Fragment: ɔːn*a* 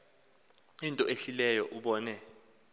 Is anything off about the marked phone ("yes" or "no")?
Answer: yes